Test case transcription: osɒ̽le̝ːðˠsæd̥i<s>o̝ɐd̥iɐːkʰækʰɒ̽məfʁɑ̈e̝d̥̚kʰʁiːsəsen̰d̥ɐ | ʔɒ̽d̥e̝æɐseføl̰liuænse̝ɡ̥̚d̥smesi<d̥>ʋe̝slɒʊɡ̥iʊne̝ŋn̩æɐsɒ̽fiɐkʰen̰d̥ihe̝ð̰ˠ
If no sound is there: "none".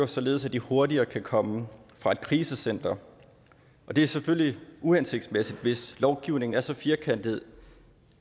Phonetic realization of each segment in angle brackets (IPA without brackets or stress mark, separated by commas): h, d̥